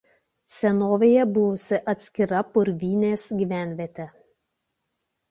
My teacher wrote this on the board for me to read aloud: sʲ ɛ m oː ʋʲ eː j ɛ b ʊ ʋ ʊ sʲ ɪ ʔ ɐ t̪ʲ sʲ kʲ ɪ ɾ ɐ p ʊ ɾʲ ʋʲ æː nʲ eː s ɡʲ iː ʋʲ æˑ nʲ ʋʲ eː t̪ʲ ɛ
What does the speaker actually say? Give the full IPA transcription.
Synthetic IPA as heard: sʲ ɛ n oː ʋʲ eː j ɛ b ʊ ʋ ʊ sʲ ɪ ʔ ɐ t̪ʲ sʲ kʲ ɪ ɾ ɐ p ʊ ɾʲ ʋʲ iː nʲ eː s ɡʲ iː ʋʲ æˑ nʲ ʋʲ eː t̪ʲ ɛ